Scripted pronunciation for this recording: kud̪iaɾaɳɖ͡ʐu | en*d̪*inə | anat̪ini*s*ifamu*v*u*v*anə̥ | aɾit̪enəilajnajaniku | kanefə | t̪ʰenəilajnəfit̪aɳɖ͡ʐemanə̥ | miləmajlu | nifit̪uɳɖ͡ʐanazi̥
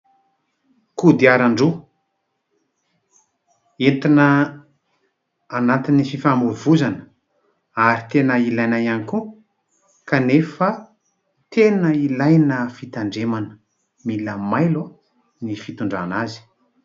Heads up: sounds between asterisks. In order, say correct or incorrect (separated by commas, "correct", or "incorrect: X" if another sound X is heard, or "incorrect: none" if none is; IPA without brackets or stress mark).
incorrect: t̪, incorrect: f, correct, incorrect: z